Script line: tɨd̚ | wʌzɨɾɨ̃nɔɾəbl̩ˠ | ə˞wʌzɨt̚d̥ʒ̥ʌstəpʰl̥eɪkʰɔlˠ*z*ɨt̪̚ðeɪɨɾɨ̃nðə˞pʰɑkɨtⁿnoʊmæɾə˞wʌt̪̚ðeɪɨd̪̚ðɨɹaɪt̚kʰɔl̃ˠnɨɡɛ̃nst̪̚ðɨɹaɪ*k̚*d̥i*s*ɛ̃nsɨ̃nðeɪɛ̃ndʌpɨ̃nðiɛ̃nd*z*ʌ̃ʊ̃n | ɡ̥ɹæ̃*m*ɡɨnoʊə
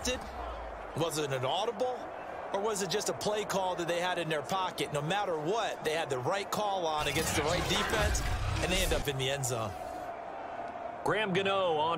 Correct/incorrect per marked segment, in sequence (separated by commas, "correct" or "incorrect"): incorrect, incorrect, incorrect, correct, correct